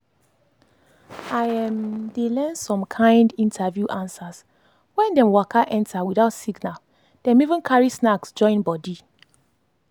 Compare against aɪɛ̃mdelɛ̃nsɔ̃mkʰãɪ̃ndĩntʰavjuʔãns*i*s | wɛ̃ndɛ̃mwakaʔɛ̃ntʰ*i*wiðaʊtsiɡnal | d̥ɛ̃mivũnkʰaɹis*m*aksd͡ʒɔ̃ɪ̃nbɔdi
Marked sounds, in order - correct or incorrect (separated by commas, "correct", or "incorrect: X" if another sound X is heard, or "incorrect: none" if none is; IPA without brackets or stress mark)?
incorrect: a, incorrect: a, incorrect: n